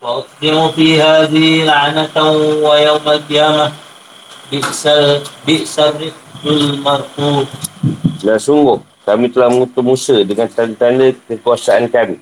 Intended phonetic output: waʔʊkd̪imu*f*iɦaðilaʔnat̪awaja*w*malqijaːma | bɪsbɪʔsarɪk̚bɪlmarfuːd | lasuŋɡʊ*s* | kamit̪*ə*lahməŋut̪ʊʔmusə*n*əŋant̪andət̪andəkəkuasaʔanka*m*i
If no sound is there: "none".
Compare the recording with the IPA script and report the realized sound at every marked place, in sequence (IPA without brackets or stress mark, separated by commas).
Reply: f, w, h, ə, d, m